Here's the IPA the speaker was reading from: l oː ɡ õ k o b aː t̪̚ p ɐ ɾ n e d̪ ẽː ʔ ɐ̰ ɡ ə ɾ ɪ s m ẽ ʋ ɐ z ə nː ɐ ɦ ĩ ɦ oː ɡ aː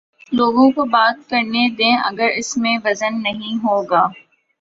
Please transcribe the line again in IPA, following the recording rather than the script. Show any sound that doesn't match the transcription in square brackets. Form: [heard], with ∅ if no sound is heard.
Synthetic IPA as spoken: l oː ɡ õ k o b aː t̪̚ [k] ɐ ɾ n e d̪ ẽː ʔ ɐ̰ ɡ ə ɾ ɪ s m ẽ ʋ ɐ z ə nː ɐ ɦ ĩ ɦ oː ɡ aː